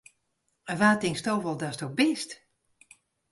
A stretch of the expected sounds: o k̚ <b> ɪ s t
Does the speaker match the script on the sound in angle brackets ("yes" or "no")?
yes